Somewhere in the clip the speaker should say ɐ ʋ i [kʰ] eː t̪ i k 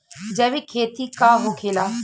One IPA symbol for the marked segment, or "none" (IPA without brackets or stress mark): kʰ